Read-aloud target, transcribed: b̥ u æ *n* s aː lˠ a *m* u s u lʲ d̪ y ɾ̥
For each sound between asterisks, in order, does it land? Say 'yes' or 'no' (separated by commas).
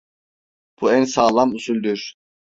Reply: yes, yes